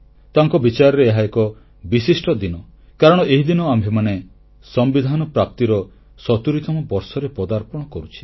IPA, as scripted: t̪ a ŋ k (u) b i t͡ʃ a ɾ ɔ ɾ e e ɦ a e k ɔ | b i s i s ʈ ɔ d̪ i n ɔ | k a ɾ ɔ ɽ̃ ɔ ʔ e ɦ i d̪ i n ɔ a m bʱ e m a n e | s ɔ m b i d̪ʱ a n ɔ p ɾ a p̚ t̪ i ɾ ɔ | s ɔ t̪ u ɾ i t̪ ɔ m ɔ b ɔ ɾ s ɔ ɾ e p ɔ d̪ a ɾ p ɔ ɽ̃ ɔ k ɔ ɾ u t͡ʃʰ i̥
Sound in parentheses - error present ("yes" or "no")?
yes